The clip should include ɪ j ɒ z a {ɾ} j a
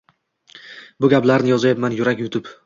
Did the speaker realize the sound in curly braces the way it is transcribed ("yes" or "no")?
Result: no